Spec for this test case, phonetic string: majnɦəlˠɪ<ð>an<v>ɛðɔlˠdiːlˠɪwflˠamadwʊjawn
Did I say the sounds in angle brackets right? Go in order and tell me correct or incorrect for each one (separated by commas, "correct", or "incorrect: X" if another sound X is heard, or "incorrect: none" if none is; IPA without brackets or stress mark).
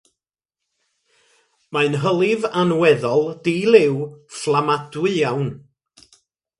incorrect: v, incorrect: w